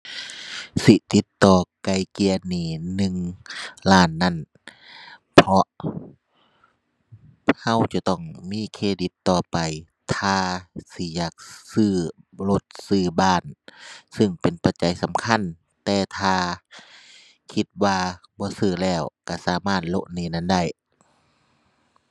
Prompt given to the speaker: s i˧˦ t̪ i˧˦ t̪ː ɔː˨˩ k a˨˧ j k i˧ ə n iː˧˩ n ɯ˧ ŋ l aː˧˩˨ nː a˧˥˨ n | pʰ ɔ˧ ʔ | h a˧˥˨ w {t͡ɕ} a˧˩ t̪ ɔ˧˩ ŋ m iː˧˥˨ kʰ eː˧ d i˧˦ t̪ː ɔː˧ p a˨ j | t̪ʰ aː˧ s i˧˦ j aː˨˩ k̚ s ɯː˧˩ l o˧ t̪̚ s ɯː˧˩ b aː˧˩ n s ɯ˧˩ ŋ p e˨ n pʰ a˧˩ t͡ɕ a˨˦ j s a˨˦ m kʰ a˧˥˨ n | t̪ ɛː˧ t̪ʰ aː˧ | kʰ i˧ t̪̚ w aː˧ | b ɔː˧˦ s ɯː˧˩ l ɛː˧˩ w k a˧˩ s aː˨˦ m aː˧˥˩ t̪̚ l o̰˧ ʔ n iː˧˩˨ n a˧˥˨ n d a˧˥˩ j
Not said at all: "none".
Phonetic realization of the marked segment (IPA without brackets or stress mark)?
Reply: t͡ɕ